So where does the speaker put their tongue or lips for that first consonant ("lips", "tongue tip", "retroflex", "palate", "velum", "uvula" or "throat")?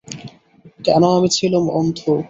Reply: velum